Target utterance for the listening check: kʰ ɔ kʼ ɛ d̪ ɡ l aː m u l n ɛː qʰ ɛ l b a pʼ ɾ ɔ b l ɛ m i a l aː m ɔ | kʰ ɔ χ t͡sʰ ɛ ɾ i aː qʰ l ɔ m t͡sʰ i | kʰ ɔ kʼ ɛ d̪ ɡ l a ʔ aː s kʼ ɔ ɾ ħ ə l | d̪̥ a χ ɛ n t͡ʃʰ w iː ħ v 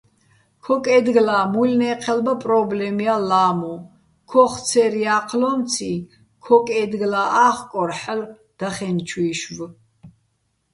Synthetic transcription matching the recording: kʰ ɔ kʼ ɛ d̪ ɡ l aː m u l n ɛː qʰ ɛ l b a pʼ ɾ ɔ b l ɛ m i a l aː m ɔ | kʰ ɔ χ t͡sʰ ɛ ɾ i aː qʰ l ɔ m t͡sʰ i | kʰ ɔ kʼ ɛ d̪ ɡ l a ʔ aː χ kʼ ɔ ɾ ħ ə l | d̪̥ a χ ɛ n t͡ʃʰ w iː ʃ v

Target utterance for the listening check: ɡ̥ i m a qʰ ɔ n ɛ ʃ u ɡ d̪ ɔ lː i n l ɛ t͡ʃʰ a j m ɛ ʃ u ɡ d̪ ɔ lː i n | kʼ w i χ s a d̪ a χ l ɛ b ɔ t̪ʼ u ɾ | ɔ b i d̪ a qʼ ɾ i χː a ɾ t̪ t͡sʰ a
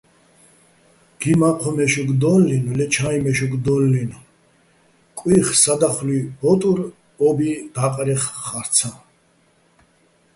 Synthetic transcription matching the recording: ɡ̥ i m a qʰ ɔ m ɛ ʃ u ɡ d̪ ɔ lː i n l ɛ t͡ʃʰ a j m ɛ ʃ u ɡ d̪ ɔ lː i n | kʼ w i χ s a d̪ a χ l i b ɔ t̪ʼ u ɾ | ɔ b i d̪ a qʼ ɾ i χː a ɾ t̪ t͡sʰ a

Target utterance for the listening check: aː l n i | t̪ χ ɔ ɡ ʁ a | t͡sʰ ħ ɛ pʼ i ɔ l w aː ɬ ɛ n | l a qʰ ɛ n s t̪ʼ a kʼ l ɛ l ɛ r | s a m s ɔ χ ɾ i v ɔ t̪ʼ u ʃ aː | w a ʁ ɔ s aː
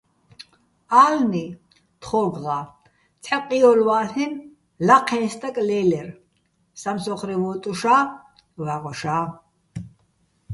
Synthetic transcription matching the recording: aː l n i | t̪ χ ɔ ɡ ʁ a | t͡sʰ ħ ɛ qʼ i ɔ l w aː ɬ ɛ n | l a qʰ ɛ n s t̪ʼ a kʼ l ɛ l ɛ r | s a m s ɔ χ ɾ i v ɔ t̪ʼ u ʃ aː | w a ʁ ɔ ʃ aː

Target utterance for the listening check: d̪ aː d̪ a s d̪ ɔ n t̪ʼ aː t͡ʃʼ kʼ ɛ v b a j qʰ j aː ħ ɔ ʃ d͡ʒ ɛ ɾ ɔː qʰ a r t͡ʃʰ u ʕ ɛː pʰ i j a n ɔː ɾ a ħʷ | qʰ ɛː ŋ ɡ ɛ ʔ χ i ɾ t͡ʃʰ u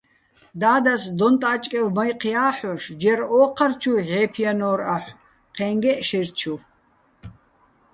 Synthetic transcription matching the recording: d̪ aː d̪ a s d̪ ɔ n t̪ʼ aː t͡ʃʼ kʼ ɛ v m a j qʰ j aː ħ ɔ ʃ d͡ʒ ɛ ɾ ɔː qʰ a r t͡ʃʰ u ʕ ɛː pʰ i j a n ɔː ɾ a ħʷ | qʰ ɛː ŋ ɡ ɛ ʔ ʃ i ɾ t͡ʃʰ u

